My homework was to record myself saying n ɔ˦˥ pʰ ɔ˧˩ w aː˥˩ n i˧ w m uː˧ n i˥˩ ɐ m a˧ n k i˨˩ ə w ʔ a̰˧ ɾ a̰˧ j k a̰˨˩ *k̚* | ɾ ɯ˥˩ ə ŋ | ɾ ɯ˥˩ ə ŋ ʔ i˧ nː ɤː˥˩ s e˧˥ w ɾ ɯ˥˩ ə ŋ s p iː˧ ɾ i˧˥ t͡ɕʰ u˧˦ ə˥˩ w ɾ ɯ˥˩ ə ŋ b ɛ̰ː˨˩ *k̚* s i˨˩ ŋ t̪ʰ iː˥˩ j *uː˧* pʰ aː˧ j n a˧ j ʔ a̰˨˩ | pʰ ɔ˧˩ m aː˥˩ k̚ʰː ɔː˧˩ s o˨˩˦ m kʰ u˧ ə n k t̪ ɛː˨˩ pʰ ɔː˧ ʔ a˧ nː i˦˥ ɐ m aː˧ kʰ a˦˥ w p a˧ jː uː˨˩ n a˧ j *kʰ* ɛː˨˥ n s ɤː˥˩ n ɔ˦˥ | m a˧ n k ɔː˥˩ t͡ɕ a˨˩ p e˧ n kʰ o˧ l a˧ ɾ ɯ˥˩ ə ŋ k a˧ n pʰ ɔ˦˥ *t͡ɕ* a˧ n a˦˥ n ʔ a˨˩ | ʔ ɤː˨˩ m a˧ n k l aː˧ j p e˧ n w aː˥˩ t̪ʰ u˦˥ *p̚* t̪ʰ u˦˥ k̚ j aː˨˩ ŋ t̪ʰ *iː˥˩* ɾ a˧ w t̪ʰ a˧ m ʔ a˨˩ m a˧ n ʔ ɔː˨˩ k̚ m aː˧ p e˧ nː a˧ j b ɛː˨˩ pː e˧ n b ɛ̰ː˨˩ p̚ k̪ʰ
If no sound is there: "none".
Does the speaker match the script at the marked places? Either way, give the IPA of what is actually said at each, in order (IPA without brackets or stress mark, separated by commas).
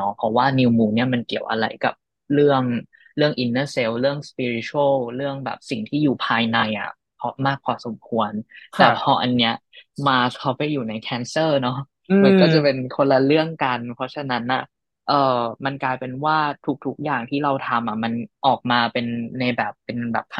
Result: p̚, p̚, uː˨˩, kʰ, t͡ɕʰ, k̚, iː˥˩